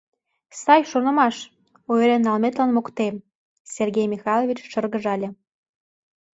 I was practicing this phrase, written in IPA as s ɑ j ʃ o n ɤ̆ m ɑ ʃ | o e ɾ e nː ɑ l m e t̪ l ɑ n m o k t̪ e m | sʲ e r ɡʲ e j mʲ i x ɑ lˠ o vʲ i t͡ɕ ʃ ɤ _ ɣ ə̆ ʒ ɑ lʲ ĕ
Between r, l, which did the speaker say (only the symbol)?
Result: r